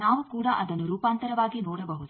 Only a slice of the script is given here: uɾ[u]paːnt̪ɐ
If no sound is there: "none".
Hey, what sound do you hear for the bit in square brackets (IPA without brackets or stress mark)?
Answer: uː